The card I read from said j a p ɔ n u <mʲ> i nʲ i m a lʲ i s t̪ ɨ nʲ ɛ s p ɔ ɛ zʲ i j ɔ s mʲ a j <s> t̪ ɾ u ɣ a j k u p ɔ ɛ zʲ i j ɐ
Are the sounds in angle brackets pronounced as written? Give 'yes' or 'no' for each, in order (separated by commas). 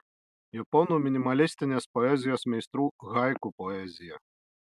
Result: yes, yes